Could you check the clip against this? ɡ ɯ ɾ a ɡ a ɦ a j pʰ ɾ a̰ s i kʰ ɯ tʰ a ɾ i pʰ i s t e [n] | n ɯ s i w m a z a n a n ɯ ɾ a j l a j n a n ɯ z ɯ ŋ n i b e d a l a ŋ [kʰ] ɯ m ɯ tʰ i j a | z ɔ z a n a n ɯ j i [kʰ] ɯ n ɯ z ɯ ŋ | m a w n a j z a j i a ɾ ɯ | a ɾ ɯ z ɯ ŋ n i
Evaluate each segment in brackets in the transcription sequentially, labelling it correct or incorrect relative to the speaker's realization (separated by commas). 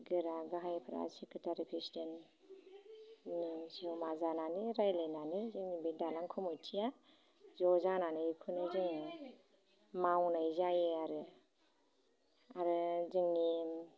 correct, correct, correct